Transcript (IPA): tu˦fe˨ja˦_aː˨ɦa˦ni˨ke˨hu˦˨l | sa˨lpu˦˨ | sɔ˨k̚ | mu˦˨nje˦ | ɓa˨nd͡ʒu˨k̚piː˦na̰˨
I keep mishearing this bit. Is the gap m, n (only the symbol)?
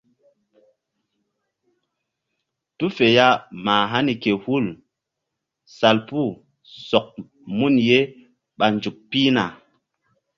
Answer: m